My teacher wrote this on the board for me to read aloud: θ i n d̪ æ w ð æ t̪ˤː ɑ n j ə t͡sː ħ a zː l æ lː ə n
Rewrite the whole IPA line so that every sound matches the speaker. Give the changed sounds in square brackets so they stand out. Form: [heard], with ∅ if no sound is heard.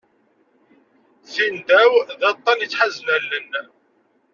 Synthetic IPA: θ i n d̪ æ w ð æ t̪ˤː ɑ n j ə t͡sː ħ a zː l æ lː ə n